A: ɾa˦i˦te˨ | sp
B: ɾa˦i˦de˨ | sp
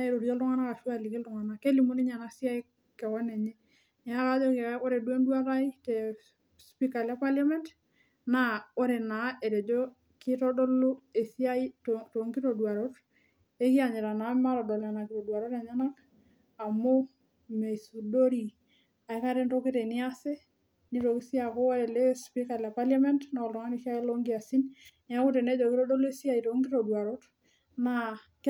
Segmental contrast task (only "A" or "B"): A